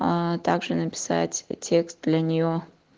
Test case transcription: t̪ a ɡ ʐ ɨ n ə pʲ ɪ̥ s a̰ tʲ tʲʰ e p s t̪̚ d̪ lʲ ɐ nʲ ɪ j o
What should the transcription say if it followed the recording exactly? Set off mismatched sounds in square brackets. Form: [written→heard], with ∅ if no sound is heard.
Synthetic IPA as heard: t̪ a ɡ ʐ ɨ n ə pʲ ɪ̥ s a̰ tʲ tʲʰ e [p→k] s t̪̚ d̪ lʲ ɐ nʲ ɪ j o